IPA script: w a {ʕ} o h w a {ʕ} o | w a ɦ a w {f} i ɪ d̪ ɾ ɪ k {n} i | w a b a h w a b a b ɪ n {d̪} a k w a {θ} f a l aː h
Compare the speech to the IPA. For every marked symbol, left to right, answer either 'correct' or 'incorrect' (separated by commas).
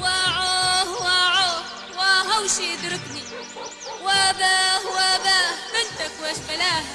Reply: correct, correct, incorrect, correct, incorrect, incorrect